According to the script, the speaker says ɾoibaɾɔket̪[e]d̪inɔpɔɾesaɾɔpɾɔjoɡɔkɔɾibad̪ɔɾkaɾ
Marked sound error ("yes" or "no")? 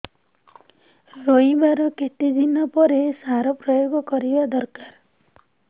yes